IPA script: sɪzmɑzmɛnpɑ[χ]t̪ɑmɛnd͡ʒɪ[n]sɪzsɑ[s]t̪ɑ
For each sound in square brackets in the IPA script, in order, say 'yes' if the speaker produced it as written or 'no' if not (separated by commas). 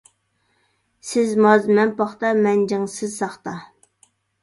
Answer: yes, no, no